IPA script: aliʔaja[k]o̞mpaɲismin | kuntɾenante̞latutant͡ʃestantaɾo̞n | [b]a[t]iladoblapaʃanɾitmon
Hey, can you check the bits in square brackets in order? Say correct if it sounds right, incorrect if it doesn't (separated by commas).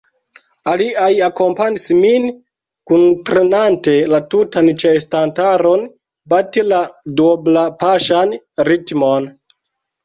correct, correct, correct